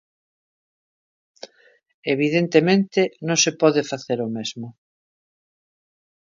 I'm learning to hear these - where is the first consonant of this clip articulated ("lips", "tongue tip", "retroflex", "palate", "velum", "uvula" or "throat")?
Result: lips